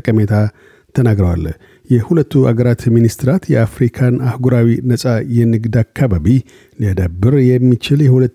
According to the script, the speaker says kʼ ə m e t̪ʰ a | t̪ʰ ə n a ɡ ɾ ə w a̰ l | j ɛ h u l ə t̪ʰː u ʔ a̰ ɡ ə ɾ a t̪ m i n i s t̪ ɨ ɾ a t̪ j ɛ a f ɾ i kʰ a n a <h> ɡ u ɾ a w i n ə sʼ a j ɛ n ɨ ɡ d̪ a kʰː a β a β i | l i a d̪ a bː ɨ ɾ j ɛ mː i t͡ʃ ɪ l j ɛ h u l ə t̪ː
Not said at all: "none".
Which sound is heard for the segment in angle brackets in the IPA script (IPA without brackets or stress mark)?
h